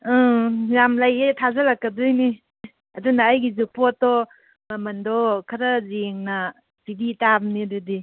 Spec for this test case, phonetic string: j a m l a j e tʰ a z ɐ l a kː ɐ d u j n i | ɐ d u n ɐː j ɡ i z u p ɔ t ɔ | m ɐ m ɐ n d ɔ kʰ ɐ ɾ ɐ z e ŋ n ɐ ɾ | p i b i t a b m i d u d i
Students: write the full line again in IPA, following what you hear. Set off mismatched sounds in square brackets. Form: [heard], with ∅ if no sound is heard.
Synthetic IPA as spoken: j a m l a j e tʰ a z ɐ l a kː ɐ d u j n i | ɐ d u n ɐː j ɡ i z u p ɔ t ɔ | m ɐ m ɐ n d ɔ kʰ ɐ ɾ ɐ z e ŋ n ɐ [∅] | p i b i t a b [n] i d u d i

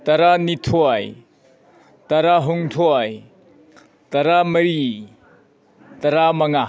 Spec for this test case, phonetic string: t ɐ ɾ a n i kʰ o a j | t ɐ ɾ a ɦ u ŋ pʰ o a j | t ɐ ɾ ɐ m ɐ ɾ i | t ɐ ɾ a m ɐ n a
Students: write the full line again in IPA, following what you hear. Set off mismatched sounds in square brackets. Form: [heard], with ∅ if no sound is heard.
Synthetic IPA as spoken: t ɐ ɾ a n i [tʰ] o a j | t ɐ ɾ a ɦ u ŋ [tʰ] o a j | t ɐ ɾ [a] m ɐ ɾ i | t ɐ ɾ a m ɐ [ŋ] a

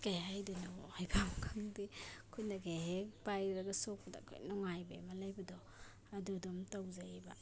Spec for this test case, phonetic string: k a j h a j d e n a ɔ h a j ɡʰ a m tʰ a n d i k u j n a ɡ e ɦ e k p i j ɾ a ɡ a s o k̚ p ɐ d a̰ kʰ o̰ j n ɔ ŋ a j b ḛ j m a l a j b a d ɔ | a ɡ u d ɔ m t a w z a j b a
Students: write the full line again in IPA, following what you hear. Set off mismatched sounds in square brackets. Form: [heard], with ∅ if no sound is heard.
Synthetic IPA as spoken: k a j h a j d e n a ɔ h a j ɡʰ a m [kʰ] a [ŋ] d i [kʰ] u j n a ɡ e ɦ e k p [a] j ɾ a ɡ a s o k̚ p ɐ d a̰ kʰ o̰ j n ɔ ŋ a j b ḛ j m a l a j b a d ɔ | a [d] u d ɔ m t a w z a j b a

